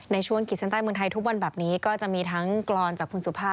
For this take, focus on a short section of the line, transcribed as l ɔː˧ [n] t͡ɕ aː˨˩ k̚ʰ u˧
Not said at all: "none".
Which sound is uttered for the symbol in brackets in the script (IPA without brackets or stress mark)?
n